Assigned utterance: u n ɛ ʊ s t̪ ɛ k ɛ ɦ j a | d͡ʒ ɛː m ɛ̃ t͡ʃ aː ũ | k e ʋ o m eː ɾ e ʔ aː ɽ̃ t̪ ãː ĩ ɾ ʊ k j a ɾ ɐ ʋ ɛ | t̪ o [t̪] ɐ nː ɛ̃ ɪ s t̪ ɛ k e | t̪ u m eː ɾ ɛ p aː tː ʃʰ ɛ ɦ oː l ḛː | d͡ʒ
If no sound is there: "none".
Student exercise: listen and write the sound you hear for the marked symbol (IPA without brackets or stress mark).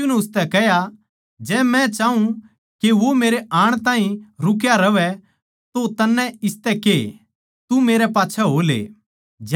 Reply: t̪